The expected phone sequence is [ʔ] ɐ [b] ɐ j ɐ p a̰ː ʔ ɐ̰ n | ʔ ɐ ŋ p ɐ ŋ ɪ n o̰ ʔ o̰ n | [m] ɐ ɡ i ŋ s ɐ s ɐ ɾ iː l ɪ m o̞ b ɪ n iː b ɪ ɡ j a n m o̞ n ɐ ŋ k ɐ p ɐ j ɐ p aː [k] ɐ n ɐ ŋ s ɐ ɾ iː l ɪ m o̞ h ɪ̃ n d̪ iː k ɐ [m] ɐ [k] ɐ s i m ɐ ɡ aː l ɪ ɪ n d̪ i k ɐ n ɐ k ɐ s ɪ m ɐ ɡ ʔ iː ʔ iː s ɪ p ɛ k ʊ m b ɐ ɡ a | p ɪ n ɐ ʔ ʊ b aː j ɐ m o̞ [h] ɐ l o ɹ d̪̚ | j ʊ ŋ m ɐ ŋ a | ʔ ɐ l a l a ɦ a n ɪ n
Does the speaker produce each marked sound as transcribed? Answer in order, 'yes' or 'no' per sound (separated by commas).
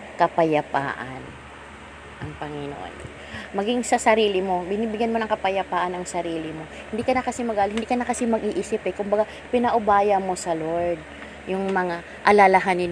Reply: no, no, yes, no, no, yes, no